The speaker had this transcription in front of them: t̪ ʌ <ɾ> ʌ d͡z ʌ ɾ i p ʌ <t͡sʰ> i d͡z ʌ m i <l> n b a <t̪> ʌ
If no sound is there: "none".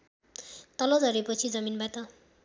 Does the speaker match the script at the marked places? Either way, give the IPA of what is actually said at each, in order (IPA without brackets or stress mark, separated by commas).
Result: l, t͡sʰ, none, t̪